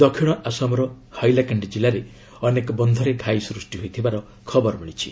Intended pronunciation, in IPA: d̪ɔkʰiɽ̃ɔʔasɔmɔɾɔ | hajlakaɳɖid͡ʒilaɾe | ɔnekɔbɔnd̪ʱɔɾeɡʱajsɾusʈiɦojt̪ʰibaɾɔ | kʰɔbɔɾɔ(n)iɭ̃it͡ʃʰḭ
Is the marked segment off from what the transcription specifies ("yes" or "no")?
yes